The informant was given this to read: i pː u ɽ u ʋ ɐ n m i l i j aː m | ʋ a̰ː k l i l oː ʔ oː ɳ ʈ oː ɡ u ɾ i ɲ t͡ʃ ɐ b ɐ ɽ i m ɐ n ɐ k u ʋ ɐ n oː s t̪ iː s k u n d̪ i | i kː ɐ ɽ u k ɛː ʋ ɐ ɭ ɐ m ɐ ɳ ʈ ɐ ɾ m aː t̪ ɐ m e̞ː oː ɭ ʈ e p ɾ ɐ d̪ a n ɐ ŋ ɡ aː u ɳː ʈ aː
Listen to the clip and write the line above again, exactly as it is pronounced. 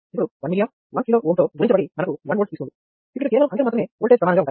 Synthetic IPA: i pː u ɽ u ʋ ɐ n m i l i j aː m | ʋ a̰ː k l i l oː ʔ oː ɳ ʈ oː ɡ u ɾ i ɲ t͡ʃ ɐ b ɐ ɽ i m ɐ n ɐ k u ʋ ɐ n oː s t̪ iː s k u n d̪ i | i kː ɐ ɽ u k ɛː ʋ ɐ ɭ ɐ m ɐ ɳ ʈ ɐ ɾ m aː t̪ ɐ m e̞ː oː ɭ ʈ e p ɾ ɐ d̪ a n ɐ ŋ ɡ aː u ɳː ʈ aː